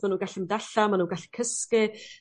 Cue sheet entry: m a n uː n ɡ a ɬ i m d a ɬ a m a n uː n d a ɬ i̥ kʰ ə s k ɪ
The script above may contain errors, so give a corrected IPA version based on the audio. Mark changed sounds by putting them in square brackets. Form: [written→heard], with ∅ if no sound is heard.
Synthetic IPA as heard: m a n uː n ɡ a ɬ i m d a ɬ a m a n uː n [d→ɡ] a ɬ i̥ kʰ ə s k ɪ